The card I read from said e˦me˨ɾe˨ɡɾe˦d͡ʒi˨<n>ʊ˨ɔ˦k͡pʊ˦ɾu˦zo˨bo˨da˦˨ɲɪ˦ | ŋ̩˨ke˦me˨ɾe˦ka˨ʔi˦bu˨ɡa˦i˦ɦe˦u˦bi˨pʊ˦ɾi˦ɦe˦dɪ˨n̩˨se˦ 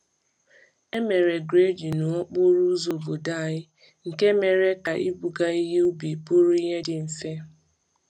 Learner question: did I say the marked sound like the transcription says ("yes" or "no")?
yes